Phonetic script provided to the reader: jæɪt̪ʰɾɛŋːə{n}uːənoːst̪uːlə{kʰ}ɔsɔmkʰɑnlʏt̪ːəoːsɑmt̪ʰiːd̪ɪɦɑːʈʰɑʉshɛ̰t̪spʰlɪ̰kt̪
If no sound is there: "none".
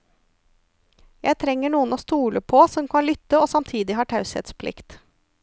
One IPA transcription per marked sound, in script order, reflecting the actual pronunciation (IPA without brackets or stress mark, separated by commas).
ɳ, pʰ